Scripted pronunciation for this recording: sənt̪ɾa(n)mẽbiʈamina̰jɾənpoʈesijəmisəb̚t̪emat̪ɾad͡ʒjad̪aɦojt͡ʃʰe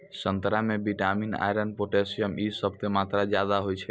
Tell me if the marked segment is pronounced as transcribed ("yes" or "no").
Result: no